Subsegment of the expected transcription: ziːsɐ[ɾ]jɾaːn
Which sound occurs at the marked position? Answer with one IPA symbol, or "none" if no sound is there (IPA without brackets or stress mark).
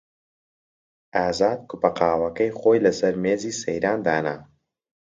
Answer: none